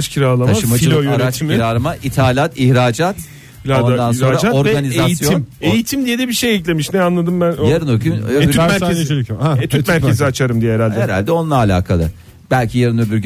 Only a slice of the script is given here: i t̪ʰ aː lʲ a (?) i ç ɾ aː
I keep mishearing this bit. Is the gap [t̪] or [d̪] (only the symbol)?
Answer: t̪